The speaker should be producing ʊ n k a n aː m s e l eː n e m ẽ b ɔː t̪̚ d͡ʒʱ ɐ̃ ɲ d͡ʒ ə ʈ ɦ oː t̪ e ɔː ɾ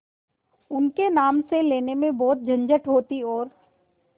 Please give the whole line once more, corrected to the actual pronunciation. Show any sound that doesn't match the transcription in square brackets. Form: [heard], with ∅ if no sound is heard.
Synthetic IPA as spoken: ʊ n k [e] n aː m s e l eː n e m ẽ b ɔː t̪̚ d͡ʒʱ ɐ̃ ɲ d͡ʒ ə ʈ ɦ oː t̪ [i] ɔː ɾ

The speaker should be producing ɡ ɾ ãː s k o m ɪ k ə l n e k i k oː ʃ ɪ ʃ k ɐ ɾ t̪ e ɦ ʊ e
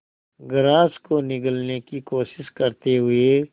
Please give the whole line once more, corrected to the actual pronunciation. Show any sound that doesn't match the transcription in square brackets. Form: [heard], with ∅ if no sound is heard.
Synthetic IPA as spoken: ɡ ɾ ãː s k o [n] ɪ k ə l n e k i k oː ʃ ɪ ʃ k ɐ ɾ t̪ e ɦ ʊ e

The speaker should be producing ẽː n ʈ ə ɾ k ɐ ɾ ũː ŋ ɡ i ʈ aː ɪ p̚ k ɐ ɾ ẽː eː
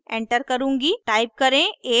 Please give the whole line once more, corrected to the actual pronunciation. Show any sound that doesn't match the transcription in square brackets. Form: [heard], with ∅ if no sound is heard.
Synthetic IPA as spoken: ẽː [ɳ] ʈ ə ɾ k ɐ ɾ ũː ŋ ɡ i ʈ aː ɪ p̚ k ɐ ɾ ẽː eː

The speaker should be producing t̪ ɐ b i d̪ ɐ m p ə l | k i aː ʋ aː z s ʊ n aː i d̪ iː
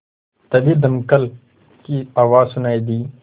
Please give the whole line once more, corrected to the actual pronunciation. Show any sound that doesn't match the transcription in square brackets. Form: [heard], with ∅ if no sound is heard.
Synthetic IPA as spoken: t̪ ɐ b i d̪ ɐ m [k] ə l | k i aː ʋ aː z s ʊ n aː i d̪ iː

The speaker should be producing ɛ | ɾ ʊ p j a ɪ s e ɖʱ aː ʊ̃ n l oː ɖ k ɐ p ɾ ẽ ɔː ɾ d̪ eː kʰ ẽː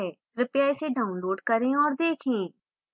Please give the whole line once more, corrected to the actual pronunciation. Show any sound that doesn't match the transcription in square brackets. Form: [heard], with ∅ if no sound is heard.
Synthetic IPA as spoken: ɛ | ɾ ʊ p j a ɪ s e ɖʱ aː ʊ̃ n l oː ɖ k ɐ [∅] ɾ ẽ ɔː ɾ d̪ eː kʰ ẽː

